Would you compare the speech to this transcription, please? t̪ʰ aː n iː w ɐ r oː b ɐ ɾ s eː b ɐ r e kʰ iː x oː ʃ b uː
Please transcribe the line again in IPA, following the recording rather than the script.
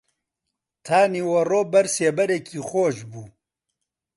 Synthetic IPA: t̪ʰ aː n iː w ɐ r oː b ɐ ɾ s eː b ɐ ɾ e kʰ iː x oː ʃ b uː